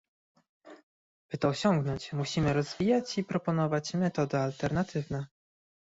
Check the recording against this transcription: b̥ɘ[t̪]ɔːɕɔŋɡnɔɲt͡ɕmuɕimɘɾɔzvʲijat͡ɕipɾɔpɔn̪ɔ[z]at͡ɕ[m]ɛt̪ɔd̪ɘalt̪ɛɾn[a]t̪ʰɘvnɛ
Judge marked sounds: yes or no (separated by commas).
yes, no, yes, yes